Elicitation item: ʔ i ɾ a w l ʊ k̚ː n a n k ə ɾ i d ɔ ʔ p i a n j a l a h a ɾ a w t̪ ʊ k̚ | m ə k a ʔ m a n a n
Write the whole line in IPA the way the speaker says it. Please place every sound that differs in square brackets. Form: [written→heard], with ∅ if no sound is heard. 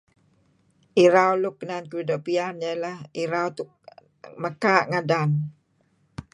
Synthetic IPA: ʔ i ɾ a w l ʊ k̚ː n a n k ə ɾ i d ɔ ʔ p i a n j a l a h [a→i] ɾ a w t̪ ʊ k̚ | m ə k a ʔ [m→ŋ] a [n→d] a n